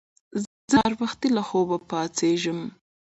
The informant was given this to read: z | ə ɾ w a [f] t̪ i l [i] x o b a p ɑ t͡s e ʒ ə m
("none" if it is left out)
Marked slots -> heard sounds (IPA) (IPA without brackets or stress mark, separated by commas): x, a